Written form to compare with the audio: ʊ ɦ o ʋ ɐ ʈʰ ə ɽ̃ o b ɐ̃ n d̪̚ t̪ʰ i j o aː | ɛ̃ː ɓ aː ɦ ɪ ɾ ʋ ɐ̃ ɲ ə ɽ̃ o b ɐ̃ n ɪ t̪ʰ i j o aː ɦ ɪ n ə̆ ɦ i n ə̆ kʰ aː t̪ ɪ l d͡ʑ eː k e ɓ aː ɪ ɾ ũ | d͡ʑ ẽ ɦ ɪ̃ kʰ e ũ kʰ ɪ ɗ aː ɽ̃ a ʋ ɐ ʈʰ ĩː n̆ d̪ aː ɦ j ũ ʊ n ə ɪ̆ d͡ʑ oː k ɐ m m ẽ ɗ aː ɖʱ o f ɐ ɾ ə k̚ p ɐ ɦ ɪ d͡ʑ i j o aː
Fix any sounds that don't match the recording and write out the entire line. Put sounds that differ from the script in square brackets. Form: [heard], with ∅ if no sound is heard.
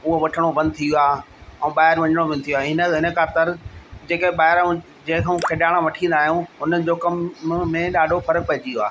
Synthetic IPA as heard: ʊ ɦ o ʋ ɐ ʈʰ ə ɽ̃ o b ɐ̃ n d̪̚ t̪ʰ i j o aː | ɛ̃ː ɓ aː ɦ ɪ ɾ ʋ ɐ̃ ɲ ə ɽ̃ o b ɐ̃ n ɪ t̪ʰ i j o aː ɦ ɪ n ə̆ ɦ [ɪ] n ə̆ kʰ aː t̪ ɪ [ɾ] d͡ʑ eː k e ɓ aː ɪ ɾ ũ | d͡ʑ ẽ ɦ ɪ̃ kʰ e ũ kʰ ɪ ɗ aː ɽ̃ a ʋ ɐ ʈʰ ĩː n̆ d̪ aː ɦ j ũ ʊ n ə ɪ̆ d͡ʑ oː k ɐ m m ẽ ɗ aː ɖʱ o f ɐ ɾ ə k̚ p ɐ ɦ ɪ d͡ʑ i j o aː